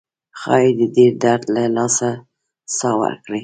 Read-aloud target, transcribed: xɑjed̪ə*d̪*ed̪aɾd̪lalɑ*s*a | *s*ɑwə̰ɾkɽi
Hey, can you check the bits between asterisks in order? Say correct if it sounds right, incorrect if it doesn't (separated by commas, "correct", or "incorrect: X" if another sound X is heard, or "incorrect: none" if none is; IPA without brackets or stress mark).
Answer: correct, correct, correct